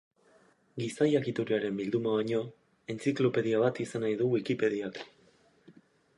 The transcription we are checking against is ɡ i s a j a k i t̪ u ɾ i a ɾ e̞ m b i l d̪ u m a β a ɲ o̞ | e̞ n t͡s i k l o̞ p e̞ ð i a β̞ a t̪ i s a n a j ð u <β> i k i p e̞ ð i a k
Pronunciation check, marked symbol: incorrect: w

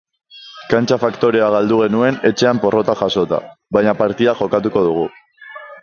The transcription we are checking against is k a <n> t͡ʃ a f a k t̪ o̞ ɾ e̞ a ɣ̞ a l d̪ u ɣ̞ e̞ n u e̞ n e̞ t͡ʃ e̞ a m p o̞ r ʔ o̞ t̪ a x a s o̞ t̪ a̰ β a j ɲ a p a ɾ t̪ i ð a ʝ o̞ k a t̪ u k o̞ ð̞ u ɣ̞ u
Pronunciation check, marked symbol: correct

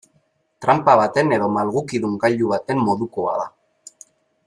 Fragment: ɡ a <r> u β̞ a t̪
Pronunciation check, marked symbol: incorrect: ʎ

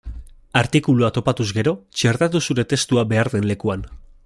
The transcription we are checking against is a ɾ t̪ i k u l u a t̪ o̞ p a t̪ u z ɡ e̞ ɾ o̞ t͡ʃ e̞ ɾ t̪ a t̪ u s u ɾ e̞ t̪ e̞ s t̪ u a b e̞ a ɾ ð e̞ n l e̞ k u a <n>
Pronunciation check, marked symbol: correct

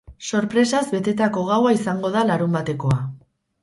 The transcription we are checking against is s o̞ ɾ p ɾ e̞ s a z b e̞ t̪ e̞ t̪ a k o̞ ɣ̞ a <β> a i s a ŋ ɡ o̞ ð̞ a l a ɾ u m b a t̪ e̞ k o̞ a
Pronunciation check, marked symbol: incorrect: w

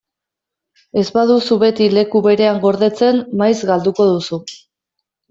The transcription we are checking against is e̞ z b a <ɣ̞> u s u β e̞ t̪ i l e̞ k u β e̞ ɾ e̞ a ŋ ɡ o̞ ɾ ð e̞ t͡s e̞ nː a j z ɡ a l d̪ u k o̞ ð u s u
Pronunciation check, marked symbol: incorrect: ð̞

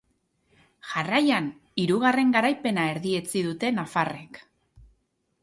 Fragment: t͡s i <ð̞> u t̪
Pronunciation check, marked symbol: correct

